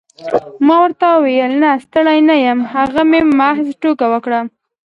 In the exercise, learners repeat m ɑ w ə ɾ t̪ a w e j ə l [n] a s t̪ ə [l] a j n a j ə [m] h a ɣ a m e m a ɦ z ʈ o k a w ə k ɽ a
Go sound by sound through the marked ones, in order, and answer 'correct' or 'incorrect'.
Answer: correct, incorrect: ɽ, correct

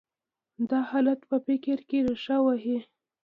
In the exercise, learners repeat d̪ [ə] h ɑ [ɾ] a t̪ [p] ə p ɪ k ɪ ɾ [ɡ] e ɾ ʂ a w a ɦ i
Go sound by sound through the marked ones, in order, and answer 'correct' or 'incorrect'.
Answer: incorrect: ɑ, incorrect: l, correct, incorrect: k

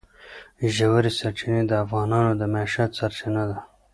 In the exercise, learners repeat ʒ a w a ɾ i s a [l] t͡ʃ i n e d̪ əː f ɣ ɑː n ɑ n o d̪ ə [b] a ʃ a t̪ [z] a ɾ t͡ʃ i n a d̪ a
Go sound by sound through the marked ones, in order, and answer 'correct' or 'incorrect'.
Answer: incorrect: ɾ, incorrect: m, incorrect: s

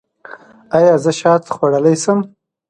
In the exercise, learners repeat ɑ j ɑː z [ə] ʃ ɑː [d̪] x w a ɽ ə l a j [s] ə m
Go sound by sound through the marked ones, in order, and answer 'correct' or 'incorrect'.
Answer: correct, incorrect: t̪, correct

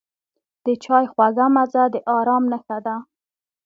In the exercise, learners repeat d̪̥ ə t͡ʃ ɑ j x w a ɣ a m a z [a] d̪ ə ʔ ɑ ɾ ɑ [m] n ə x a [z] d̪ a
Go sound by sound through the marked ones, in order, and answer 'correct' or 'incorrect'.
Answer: correct, correct, incorrect: none

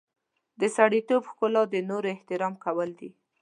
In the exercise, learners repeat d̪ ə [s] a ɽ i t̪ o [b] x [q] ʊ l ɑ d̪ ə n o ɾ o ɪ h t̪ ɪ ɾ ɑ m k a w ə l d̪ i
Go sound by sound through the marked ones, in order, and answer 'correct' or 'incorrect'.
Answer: correct, correct, incorrect: k

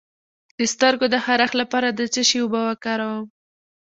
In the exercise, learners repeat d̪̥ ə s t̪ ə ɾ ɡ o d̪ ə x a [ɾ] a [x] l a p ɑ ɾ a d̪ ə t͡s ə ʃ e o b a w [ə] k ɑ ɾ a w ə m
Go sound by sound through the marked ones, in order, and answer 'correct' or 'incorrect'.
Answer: correct, correct, incorrect: a

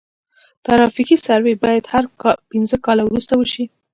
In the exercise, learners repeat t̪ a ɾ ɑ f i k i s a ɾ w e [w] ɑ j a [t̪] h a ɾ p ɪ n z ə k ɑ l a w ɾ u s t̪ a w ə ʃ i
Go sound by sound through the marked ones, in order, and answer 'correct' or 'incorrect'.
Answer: incorrect: b, incorrect: d̪

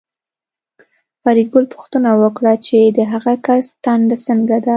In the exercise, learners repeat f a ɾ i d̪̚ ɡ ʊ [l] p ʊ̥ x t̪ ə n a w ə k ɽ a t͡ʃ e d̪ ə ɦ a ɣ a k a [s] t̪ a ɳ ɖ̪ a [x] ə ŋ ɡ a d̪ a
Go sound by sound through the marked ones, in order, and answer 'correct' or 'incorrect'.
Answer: correct, correct, incorrect: s

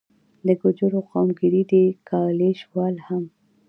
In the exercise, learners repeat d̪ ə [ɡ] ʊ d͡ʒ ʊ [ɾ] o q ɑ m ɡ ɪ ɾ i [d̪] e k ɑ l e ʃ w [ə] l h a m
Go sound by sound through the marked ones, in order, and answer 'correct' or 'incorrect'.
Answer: correct, correct, correct, incorrect: ɑ

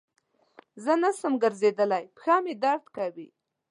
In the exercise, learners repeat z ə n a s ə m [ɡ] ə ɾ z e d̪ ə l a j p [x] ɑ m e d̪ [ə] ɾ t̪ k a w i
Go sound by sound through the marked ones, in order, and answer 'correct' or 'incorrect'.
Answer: correct, correct, incorrect: a

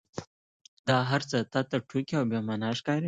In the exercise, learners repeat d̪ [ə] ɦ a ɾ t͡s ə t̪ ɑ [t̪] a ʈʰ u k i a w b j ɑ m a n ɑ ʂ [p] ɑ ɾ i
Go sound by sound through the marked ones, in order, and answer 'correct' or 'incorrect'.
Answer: incorrect: ɑ, correct, incorrect: k

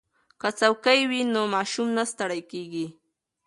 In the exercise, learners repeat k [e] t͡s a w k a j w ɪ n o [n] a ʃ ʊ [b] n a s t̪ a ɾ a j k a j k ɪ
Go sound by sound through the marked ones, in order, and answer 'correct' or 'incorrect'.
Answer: incorrect: a, incorrect: m, incorrect: m

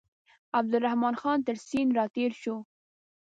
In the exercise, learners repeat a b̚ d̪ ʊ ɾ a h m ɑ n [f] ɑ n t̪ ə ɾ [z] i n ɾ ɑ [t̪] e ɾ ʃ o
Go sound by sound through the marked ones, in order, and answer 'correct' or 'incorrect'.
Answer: incorrect: x, incorrect: s, correct

